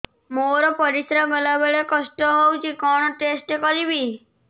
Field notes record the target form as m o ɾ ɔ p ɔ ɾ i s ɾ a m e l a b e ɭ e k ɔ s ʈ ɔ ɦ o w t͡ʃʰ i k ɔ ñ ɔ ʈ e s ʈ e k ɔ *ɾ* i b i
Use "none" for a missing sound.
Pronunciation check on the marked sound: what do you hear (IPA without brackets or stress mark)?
ɾ